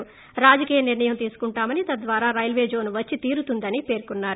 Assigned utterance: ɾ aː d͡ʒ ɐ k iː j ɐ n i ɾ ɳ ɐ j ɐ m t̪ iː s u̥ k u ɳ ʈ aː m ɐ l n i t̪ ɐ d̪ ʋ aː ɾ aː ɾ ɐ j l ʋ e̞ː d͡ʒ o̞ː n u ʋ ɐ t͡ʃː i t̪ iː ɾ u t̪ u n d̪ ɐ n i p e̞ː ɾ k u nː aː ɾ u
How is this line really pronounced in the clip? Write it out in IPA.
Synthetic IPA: ɾ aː d͡ʒ ɐ k iː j ɐ n i ɾ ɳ ɐ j ɐ m t̪ iː s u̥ k u ɳ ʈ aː m ɐ n i t̪ ɐ d̪ ʋ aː ɾ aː ɾ ɐ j l ʋ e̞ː d͡ʒ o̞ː n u ʋ ɐ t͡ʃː i t̪ iː ɾ u t̪ u n d̪ ɐ n i p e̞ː ɾ k u nː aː ɾ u